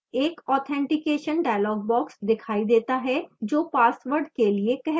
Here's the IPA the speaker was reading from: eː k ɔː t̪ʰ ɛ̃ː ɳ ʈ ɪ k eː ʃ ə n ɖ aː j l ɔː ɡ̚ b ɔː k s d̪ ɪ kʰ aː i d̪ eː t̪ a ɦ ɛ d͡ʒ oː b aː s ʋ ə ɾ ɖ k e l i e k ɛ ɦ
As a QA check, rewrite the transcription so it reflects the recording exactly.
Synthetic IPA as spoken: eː k ɔː t̪ʰ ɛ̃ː ɳ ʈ ɪ k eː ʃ ə n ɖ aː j l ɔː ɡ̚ b ɔː k s d̪ ɪ kʰ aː i d̪ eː t̪ a ɦ ɛ d͡ʒ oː p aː s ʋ ə ɾ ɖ k e l i e k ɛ ɦ